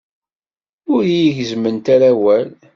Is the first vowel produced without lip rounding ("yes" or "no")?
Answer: no